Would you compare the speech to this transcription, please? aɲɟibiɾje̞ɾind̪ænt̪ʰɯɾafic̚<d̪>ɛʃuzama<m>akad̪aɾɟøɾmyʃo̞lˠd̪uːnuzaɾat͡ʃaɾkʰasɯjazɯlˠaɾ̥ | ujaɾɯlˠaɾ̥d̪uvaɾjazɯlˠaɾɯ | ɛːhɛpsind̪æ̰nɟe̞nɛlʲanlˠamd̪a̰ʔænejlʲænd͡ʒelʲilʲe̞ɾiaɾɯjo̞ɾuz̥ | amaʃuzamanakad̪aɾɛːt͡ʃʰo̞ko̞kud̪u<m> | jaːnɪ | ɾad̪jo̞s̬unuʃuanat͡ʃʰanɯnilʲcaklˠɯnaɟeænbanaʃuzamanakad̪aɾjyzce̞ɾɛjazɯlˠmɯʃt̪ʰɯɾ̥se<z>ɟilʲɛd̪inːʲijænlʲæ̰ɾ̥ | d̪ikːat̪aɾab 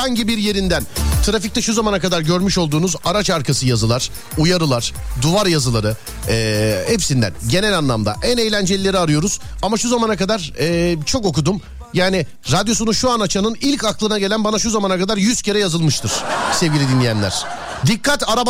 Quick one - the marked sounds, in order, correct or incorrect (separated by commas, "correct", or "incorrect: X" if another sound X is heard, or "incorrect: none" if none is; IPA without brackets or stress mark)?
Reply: incorrect: t̪, incorrect: n, correct, incorrect: v